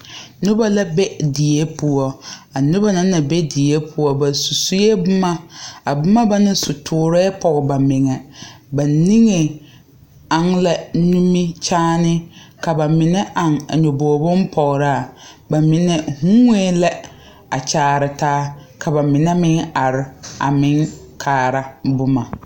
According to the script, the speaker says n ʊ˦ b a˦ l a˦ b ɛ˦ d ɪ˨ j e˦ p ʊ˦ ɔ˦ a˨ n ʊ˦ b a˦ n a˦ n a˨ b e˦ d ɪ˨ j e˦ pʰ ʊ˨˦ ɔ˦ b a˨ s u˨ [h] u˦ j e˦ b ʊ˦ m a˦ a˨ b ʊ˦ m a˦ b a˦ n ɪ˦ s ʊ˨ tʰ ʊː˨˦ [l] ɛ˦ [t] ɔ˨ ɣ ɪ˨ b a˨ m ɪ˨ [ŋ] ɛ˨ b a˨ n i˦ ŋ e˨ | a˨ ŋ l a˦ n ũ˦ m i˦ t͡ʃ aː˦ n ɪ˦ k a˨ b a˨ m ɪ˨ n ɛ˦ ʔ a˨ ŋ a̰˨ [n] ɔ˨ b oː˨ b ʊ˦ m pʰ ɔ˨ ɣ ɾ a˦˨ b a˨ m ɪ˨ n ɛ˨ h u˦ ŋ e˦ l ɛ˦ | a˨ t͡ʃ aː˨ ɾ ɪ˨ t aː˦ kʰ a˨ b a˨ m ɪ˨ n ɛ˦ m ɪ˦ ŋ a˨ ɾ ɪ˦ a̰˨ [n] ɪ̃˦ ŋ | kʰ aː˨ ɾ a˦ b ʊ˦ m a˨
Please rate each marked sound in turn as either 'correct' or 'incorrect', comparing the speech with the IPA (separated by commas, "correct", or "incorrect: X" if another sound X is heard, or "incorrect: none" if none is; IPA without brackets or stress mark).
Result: incorrect: s, incorrect: ɾ, incorrect: p, correct, incorrect: ɲ, incorrect: m